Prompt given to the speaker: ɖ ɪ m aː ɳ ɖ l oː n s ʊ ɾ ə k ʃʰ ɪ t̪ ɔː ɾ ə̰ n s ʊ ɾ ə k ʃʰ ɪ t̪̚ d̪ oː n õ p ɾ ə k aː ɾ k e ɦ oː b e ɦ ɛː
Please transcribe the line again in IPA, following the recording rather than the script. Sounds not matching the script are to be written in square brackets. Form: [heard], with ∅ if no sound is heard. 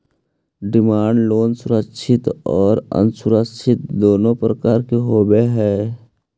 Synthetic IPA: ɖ ɪ m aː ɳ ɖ l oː n s ʊ ɾ ə k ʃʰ ɪ t̪ ɔː ɾ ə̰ n s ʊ ɾ ə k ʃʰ ɪ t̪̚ d̪ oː n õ p ɾ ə k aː ɾ k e ɦ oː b e ɦ ɛː